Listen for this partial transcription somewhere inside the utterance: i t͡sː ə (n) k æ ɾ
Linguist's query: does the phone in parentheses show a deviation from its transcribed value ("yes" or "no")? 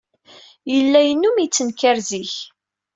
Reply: no